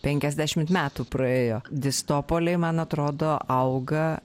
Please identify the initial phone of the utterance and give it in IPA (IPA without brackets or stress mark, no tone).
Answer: pʲ